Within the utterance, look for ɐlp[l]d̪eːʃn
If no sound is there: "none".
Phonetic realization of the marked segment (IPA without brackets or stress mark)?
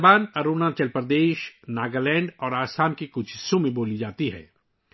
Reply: ɾ